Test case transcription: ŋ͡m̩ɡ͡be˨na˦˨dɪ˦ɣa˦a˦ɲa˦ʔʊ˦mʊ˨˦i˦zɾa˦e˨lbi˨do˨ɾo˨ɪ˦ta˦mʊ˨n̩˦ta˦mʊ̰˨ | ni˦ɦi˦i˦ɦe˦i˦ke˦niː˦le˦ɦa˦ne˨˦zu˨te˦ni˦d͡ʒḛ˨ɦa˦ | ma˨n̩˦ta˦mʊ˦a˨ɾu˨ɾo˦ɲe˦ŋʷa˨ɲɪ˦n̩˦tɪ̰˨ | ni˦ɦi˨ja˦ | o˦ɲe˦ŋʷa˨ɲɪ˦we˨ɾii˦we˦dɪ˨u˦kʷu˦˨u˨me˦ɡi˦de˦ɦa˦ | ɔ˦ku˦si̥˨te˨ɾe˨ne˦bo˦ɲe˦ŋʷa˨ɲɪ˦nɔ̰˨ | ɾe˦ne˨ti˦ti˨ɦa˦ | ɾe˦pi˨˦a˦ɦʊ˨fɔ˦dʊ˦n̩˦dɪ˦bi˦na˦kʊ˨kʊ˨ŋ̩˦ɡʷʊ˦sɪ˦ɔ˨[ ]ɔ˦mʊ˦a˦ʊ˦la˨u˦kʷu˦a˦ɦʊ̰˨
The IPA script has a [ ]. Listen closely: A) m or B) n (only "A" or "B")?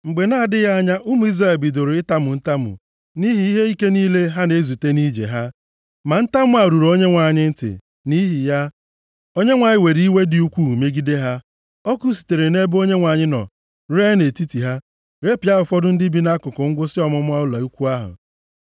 A